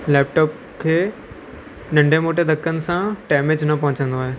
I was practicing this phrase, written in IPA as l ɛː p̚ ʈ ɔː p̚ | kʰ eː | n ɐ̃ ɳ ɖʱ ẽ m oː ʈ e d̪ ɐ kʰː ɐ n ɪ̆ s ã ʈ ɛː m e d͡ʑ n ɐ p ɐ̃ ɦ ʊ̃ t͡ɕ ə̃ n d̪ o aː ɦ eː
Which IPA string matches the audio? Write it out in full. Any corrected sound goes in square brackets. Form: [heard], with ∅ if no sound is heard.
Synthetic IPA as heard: l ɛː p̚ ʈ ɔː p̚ | kʰ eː | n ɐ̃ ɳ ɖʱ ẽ m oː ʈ e d̪ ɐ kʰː [ə] n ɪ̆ s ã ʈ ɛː m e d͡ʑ n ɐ p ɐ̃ ɦ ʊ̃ t͡ɕ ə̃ n d̪ o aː ɦ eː